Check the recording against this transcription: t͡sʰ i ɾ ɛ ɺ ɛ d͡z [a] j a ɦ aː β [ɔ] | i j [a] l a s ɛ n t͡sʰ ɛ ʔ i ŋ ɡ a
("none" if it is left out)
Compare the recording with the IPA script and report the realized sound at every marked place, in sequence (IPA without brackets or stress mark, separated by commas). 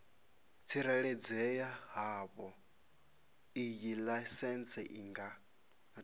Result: ɛ, ɔ, i